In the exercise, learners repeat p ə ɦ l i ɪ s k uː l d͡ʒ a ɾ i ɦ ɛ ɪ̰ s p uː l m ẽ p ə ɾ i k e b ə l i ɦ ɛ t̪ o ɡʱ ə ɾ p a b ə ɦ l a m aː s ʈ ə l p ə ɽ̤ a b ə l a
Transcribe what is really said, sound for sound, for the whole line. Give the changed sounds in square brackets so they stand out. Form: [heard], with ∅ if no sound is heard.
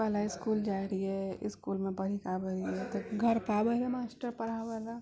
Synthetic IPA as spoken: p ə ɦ l [a] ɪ s k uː l d͡ʒ a ɾ i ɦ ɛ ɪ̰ s [k] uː l m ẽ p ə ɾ i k [a] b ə [ɾ] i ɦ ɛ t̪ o ɡʱ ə ɾ p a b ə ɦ l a m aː s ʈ ə [ɾ] p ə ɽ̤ a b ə l a

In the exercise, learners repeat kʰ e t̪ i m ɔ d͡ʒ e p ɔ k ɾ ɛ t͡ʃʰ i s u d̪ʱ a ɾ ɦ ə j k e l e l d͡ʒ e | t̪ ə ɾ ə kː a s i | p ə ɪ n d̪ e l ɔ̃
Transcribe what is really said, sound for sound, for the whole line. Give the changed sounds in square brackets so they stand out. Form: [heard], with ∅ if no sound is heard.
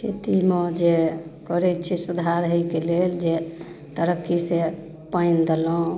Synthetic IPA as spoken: kʰ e t̪ i m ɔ d͡ʒ e [k] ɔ [∅] ɾ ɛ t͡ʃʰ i s u d̪ʱ a ɾ ɦ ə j k e l e l d͡ʒ e | t̪ ə ɾ ə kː [i] s [e] | p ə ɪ n d̪ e l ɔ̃

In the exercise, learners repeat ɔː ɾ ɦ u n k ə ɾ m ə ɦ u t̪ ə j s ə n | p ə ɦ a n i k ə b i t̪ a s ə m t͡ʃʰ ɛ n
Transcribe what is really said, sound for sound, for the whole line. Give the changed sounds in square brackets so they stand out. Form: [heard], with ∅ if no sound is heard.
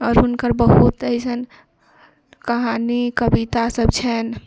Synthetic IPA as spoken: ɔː ɾ ɦ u n k ə ɾ [b] ə ɦ u t̪ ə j s ə n | [k] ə ɦ a n i k ə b i t̪ a s ə [b] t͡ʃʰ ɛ n

